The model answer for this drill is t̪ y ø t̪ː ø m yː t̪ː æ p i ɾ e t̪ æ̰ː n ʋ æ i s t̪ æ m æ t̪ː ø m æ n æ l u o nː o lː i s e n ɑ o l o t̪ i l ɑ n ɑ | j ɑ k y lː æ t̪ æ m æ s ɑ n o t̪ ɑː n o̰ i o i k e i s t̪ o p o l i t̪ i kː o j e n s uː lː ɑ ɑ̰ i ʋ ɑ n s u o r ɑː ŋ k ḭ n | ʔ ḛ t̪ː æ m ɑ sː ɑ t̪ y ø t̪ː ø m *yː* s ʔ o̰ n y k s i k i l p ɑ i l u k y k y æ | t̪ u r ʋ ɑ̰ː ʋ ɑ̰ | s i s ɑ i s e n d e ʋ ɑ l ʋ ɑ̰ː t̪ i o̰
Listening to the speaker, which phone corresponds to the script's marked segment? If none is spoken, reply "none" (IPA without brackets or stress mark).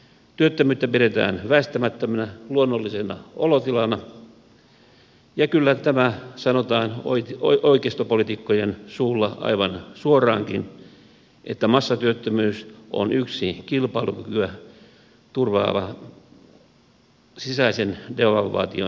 yː